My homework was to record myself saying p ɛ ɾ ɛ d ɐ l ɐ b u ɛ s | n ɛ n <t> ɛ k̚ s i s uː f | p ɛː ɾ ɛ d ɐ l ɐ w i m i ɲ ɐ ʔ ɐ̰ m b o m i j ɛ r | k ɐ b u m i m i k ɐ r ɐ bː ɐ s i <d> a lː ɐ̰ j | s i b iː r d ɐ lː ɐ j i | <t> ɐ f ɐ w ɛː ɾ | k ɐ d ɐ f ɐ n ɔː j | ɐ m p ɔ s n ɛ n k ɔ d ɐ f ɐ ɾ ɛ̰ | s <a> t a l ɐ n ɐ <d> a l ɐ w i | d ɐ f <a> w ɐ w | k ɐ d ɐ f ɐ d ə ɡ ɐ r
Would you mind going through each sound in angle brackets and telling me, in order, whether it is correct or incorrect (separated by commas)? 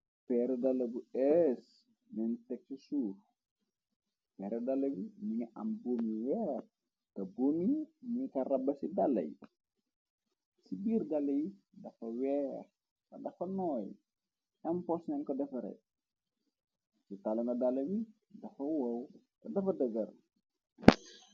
correct, correct, incorrect, incorrect, correct, incorrect